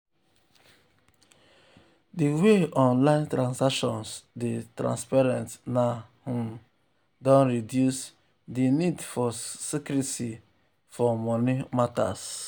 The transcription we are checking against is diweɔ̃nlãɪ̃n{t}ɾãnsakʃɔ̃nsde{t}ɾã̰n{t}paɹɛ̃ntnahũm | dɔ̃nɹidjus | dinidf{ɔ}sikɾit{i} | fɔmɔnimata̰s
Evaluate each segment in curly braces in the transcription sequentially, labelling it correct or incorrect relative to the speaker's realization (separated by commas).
correct, correct, incorrect, correct, correct